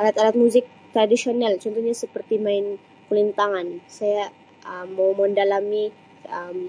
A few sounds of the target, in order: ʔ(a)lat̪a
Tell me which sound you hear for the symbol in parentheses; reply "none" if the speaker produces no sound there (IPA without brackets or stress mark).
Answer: a